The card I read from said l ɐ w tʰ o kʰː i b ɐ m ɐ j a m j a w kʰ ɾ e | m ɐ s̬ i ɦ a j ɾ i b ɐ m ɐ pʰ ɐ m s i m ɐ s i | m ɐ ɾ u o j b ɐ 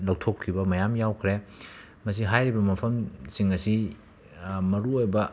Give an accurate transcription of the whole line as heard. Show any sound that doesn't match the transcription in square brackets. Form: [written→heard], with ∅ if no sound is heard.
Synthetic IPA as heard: l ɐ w tʰ o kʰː i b ɐ m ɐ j a m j a w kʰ ɾ e | m ɐ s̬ i ɦ a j ɾ i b ɐ m ɐ pʰ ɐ m s i [m→ŋ] ɐ s i | m ɐ ɾ u o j b ɐ